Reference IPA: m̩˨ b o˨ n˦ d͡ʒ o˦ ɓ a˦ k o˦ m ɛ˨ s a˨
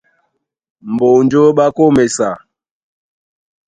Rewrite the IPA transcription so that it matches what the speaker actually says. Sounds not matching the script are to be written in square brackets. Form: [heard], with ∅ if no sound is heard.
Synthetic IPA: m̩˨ b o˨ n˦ d͡ʒ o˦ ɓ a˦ k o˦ m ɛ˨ s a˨